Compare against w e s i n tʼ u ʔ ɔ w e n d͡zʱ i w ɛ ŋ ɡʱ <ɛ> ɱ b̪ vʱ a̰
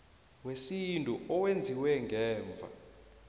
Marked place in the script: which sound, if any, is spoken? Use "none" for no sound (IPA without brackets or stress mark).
ɛː